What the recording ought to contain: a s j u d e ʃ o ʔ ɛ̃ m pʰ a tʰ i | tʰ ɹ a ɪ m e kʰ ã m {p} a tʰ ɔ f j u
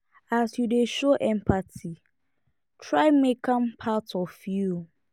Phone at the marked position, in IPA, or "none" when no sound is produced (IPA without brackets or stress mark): pʰ